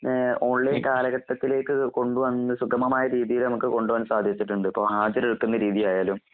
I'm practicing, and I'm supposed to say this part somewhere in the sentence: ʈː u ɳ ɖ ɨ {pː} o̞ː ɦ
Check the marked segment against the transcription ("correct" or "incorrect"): correct